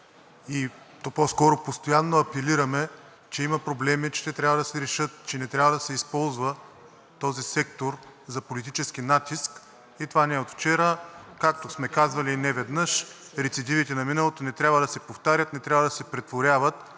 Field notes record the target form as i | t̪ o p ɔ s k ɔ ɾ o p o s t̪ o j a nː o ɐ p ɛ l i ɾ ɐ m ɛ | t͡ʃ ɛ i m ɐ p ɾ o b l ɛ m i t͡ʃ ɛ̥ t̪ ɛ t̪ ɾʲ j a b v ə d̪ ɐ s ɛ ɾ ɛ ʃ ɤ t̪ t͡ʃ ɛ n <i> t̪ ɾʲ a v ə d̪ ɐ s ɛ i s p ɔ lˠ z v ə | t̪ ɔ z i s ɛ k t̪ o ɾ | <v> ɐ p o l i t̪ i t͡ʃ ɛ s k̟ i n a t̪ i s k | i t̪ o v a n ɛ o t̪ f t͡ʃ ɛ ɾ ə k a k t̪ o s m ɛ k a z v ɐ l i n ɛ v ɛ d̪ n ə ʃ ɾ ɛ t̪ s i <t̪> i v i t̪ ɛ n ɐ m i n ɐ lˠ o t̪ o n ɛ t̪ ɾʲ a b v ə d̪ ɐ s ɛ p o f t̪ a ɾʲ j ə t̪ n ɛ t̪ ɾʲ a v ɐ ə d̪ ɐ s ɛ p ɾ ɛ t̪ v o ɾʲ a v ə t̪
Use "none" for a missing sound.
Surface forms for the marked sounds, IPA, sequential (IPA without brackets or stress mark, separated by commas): ɛ, z, d̪